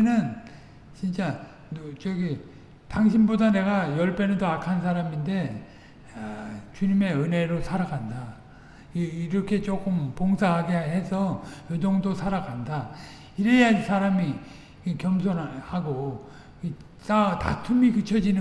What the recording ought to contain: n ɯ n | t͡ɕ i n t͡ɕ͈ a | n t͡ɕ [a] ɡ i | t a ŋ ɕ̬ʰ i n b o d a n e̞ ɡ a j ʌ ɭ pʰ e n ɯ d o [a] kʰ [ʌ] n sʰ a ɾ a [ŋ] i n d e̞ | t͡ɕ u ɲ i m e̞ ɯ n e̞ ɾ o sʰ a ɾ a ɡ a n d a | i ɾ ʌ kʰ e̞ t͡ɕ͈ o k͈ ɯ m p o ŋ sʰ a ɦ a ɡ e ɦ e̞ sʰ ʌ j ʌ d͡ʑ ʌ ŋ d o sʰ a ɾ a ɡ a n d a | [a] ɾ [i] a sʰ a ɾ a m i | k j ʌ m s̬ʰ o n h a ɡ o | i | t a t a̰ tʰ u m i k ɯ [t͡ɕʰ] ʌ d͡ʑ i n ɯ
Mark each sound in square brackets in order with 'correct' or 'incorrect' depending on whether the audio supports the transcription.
incorrect, correct, incorrect, incorrect, incorrect, incorrect, correct

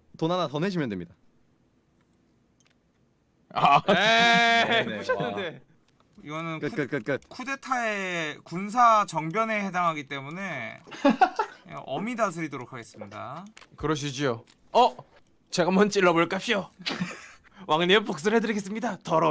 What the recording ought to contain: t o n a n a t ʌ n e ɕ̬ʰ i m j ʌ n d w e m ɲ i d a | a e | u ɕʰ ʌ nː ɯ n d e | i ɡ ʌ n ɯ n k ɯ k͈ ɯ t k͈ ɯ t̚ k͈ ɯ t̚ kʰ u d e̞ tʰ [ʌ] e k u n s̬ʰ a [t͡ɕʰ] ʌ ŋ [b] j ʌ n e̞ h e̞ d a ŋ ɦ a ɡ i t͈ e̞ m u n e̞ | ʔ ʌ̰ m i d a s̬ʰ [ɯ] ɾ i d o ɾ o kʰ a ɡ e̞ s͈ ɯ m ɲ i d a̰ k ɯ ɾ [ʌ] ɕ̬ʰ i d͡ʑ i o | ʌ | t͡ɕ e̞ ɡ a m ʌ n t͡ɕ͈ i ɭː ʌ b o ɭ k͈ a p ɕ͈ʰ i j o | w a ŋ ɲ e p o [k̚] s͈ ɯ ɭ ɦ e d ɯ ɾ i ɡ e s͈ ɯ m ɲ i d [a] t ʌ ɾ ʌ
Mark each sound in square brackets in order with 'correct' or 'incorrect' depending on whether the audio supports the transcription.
incorrect, incorrect, correct, correct, correct, correct, correct

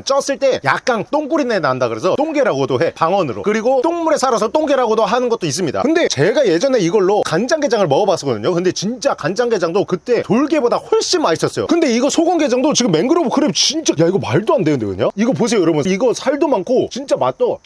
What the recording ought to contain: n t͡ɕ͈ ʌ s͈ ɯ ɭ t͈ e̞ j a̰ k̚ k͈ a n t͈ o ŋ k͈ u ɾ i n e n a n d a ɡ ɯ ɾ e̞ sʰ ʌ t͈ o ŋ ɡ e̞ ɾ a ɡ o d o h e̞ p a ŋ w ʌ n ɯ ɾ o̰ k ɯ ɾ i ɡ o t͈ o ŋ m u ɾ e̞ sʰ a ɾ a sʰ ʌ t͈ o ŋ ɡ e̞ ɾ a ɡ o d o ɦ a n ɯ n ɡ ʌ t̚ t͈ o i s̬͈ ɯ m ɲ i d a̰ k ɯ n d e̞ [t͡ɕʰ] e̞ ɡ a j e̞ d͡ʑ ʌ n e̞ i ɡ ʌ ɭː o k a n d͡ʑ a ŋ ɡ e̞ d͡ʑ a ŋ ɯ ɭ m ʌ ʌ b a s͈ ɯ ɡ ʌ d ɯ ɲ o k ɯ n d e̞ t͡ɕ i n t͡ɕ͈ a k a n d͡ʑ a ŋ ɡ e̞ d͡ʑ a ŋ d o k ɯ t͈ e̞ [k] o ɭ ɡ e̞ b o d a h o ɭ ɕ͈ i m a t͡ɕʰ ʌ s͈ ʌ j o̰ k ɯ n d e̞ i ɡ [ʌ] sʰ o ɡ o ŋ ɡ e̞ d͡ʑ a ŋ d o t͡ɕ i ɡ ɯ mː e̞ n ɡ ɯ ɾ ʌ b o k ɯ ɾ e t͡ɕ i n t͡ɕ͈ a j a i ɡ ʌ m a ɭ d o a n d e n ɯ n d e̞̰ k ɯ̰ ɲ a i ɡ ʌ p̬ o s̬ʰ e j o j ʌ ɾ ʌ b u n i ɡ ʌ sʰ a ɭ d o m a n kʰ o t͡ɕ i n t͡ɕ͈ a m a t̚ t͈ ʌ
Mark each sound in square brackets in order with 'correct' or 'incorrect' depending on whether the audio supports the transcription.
incorrect, incorrect, correct

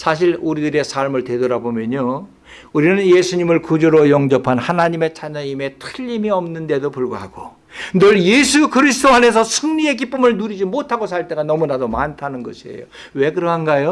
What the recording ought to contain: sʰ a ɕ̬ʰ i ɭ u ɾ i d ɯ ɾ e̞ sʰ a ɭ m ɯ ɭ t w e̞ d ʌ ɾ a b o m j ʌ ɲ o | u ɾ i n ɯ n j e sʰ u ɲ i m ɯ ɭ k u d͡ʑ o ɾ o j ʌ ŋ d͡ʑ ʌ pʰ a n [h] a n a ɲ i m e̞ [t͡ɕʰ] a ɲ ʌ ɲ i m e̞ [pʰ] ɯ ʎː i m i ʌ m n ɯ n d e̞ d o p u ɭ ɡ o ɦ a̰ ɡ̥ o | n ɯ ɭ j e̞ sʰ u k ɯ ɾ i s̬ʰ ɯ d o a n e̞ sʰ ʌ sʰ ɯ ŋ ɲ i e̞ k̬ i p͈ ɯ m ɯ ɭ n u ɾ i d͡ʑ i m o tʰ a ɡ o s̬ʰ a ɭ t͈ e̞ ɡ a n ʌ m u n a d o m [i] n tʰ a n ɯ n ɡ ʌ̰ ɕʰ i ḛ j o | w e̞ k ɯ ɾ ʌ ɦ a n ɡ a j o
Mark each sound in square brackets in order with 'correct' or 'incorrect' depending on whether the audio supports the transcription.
correct, correct, incorrect, incorrect

